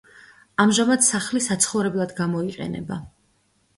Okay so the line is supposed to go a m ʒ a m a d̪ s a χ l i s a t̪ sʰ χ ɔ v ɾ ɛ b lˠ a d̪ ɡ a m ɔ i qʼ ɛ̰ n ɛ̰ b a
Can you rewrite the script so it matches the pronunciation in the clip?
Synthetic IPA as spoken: a m ʒ a m a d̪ s a χ l i s a t̪ sʰ χ ɔ v ɾ ɛ b lˠ a d̪ ɡ a m ɔ i qʼ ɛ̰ n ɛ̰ b a